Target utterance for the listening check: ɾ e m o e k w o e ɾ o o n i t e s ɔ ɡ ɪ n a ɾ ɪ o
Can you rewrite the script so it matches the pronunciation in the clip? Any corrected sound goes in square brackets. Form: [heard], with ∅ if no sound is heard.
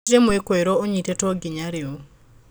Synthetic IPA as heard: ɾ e m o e k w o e ɾ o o [ɲ] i t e [t] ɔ ɡ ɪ [ɲ] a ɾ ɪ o

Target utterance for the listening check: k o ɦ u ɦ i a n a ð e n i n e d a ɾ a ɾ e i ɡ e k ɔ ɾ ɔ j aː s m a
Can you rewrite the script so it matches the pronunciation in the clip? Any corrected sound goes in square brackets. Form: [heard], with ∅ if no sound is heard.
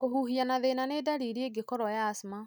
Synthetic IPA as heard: k o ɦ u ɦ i a n a ð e n [a] n e d a ɾ [i] ɾ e [e] ɡ e k ɔ ɾ ɔ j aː s m a

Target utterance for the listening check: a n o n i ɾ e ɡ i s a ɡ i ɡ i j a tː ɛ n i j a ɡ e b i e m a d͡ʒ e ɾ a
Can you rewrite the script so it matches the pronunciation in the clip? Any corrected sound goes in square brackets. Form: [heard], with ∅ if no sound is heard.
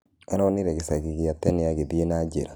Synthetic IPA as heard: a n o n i ɾ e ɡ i s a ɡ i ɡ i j a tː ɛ n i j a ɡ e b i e [n] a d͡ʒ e ɾ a

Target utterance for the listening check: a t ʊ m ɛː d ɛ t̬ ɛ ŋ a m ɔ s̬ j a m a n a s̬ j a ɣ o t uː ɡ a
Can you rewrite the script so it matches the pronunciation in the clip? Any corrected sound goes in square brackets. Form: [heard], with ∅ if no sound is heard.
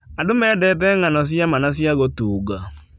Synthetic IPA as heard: a [d] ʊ m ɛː d ɛ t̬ ɛ ŋ a [n] ɔ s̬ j a m a n a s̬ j a ɣ o t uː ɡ a

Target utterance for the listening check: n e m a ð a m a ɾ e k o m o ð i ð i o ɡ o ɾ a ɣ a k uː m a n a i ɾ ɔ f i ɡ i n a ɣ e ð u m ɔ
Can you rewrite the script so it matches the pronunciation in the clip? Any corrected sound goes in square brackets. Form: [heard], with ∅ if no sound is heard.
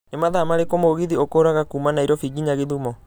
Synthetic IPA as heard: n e m a ð a m a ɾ e k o m o [ɣ] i ð i o [k] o ɾ a ɣ a k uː m a n a i ɾ ɔ f i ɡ i [ɲ] a ɣ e ð u m ɔ

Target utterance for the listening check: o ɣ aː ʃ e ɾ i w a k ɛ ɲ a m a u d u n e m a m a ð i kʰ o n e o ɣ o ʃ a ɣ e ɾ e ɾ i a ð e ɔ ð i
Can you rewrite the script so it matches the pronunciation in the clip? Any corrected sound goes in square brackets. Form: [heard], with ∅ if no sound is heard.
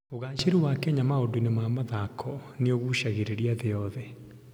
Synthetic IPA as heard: o ɣ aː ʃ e ɾ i w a k ɛ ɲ a m a [o] d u n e m a m a ð [a] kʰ [ɔ] n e o ɣ [u] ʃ a ɣ e ɾ e ɾ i a ð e ɔ ð [ɛ]

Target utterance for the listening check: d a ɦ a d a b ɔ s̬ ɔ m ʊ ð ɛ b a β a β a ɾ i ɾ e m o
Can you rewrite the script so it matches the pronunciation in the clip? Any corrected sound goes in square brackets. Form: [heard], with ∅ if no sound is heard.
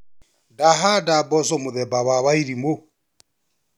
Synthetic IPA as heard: d a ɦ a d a b ɔ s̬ ɔ m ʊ ð ɛ b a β a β a [∅] i ɾ [i] m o

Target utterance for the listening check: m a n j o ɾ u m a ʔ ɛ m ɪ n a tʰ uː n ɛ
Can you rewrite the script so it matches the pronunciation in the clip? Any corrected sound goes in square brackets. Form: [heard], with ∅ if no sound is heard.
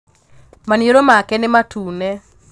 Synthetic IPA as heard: m a n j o ɾ [o] m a [k] ɛ [n] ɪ [m] a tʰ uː n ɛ

